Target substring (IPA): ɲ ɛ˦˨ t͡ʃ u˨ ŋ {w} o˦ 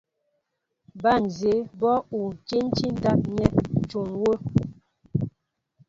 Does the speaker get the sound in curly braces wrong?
no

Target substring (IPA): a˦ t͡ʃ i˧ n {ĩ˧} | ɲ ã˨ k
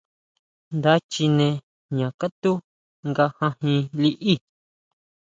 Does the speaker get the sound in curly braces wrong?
yes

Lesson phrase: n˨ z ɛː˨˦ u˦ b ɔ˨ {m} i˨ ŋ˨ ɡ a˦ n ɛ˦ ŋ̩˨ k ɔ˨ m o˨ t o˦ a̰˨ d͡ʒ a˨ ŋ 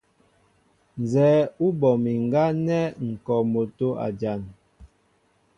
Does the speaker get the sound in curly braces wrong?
no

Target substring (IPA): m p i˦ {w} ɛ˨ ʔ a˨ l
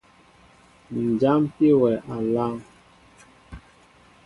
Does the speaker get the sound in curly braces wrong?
no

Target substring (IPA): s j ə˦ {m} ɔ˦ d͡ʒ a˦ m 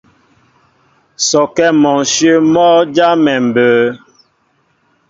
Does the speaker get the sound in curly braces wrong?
no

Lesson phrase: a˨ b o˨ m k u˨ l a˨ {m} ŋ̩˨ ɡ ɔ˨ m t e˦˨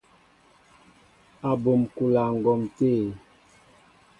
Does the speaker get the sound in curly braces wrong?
yes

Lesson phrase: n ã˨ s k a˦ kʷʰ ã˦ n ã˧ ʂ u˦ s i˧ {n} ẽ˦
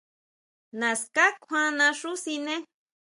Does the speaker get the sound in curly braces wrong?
no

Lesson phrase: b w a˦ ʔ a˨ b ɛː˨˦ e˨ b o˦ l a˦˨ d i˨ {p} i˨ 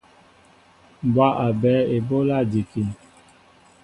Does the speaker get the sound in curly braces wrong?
yes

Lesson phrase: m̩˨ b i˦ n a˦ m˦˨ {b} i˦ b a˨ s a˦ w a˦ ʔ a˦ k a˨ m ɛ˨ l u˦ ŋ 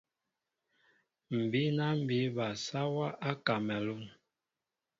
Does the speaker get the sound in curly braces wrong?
no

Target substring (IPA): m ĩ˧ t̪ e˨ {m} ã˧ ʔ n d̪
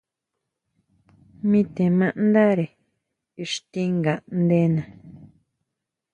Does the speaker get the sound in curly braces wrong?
no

